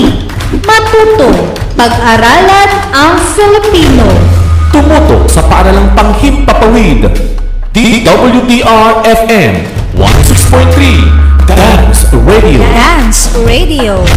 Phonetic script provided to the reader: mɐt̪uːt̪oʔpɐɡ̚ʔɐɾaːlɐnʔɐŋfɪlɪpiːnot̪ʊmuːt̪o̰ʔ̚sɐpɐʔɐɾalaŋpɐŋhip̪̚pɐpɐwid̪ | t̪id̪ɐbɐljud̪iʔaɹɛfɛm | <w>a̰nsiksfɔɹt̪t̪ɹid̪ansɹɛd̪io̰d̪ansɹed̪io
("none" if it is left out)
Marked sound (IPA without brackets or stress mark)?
w